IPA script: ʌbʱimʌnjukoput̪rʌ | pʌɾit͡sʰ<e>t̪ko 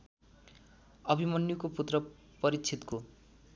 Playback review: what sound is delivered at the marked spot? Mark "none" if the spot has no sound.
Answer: i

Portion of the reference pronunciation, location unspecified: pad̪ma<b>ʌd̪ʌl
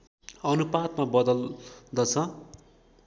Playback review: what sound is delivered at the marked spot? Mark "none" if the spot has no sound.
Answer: b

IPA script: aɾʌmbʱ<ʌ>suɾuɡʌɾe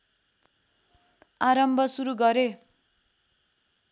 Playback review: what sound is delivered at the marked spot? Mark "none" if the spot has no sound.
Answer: ʌ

